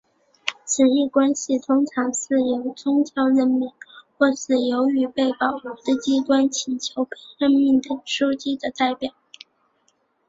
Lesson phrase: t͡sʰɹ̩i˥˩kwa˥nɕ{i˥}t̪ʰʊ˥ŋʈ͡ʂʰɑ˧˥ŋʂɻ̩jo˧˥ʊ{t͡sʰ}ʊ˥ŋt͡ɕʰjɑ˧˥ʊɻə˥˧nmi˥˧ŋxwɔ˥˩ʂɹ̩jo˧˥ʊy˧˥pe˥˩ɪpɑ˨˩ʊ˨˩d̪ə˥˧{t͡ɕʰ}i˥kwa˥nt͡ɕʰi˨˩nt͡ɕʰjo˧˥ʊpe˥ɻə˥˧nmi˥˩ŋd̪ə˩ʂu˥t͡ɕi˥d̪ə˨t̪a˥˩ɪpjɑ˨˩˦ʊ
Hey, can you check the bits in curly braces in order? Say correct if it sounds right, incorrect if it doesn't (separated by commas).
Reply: incorrect, incorrect, incorrect